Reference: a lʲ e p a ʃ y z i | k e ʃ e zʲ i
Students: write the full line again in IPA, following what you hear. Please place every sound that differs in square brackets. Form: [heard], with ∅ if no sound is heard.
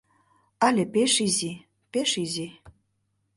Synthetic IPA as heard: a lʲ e p [e] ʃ [i] z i | [p] e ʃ [i] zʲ i

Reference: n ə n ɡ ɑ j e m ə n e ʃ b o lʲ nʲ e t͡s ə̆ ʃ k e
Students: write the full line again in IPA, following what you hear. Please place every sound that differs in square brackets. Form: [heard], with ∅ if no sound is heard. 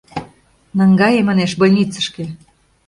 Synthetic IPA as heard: n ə [ŋ] ɡ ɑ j e m [ɑ] n e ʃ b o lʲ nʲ [i] t͡s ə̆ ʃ k e

